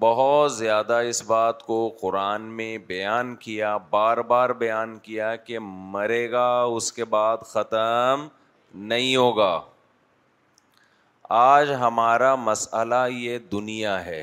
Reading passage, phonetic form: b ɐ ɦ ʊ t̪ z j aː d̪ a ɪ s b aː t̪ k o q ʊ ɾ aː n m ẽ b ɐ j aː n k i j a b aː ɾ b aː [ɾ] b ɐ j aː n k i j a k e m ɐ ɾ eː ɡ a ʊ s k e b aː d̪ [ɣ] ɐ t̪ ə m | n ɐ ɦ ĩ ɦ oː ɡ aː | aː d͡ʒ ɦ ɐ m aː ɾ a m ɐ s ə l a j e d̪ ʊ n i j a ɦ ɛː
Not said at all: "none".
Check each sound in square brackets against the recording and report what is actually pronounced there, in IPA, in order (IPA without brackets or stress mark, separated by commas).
ɾ, x